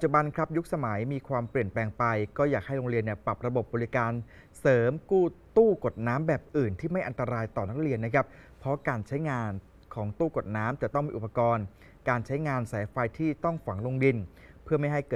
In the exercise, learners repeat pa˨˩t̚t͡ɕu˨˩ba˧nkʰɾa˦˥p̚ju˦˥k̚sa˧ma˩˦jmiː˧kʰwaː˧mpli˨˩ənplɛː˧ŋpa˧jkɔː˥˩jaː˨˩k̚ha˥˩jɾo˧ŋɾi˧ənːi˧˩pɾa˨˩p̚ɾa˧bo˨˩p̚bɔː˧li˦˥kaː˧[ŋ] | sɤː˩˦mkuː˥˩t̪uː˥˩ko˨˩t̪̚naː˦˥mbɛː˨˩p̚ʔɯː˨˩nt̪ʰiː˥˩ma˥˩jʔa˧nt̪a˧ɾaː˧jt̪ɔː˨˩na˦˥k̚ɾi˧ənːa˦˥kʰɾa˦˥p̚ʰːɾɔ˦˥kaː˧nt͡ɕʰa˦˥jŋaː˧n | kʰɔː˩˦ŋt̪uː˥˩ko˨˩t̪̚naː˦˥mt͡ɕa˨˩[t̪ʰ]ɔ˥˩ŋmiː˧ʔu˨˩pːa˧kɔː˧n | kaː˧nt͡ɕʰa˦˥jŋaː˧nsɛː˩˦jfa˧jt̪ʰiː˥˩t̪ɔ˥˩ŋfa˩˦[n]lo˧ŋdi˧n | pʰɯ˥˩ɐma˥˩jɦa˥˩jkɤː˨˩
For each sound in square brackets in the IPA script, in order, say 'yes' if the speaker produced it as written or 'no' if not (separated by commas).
no, no, no